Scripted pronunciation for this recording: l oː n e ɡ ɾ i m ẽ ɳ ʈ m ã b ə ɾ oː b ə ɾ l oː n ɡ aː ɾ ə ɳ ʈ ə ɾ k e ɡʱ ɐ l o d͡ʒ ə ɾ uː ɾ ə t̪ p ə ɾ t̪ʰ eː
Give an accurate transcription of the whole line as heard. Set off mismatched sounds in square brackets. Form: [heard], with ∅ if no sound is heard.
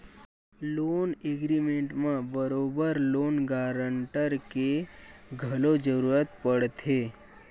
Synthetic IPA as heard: l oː n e ɡ ɾ i m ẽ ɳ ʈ m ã b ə ɾ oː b ə ɾ l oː n ɡ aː ɾ ə ɳ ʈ ə ɾ k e ɡʱ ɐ l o d͡ʒ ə ɾ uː ɾ ə t̪ p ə [ɽ] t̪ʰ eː